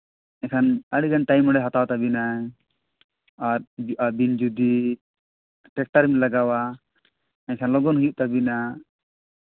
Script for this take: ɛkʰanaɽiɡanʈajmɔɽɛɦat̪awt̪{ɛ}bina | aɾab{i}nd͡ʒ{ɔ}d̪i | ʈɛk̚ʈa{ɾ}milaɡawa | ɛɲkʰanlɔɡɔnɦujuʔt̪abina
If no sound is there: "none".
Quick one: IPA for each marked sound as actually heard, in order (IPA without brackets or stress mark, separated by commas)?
a, i, u, ɾ